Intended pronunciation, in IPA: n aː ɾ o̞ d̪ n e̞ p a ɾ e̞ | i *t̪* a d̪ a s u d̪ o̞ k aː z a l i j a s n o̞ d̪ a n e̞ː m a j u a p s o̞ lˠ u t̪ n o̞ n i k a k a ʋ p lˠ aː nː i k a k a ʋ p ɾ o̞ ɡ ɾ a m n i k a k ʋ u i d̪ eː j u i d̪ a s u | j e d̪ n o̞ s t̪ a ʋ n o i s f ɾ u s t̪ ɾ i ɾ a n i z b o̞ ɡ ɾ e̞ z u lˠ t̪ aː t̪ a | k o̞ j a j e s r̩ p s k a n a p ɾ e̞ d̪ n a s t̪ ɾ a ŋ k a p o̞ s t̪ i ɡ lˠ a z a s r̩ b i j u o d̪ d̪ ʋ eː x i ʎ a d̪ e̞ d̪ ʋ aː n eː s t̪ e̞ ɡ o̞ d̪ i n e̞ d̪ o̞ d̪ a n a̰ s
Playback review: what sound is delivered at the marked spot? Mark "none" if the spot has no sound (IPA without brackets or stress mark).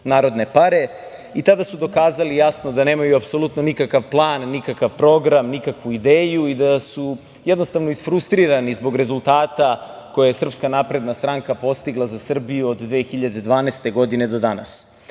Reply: t̪